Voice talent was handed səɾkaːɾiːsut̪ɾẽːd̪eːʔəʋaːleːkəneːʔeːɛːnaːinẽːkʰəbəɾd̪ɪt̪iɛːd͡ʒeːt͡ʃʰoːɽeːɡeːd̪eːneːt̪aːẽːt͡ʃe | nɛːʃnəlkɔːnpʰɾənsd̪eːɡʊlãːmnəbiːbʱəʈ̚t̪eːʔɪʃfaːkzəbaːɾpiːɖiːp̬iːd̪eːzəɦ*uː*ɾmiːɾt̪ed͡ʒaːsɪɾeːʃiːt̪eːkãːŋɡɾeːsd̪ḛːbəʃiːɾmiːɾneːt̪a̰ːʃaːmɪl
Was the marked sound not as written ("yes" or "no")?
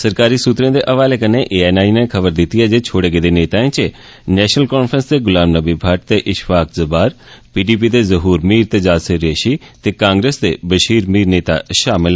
no